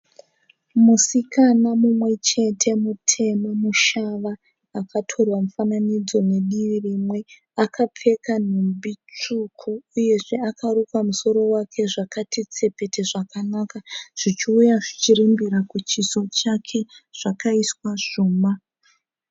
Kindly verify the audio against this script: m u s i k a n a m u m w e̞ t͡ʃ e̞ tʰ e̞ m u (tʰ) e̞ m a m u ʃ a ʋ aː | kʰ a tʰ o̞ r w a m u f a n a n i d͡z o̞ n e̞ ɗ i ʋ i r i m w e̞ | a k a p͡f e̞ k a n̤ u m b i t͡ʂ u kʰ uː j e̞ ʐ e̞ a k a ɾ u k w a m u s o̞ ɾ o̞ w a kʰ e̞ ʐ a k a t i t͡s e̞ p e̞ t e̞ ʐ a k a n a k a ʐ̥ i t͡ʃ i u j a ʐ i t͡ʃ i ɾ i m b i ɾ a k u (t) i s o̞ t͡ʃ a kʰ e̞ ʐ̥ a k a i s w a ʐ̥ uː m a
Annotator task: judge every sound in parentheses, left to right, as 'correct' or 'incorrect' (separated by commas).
correct, incorrect